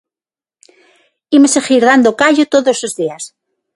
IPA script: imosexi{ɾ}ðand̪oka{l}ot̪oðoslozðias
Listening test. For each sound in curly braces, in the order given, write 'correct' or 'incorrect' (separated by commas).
correct, incorrect